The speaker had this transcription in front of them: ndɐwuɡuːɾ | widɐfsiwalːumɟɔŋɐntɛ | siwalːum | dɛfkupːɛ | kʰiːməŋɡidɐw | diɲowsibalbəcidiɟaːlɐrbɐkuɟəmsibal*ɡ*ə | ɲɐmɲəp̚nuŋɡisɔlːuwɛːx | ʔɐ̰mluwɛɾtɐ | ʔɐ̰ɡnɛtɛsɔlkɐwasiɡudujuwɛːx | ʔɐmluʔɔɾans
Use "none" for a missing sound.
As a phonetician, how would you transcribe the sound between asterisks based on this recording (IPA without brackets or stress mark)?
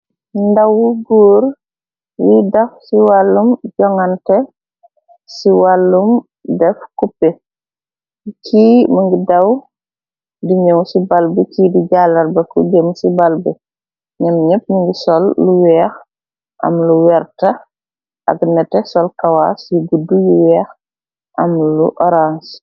b